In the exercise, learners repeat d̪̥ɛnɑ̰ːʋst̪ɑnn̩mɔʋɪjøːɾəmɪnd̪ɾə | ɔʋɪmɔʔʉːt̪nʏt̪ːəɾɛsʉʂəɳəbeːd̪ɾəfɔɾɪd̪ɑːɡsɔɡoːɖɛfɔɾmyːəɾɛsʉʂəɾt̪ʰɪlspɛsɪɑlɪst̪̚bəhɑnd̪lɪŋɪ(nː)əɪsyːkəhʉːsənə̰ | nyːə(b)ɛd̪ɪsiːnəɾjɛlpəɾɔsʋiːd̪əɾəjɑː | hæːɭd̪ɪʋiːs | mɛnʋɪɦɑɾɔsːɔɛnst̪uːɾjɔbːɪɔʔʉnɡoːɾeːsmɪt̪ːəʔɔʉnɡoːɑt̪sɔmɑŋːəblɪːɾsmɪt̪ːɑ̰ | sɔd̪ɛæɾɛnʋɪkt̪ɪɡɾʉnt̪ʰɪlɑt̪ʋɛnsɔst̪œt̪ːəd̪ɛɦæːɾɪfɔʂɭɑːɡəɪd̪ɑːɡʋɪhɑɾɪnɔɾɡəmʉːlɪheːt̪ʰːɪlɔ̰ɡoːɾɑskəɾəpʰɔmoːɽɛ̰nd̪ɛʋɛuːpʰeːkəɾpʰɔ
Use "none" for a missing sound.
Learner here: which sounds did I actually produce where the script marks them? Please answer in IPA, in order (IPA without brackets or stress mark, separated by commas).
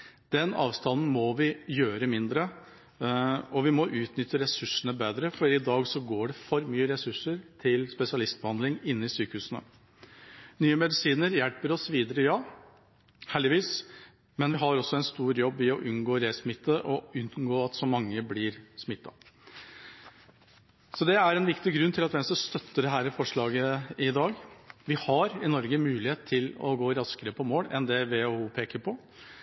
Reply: nː, m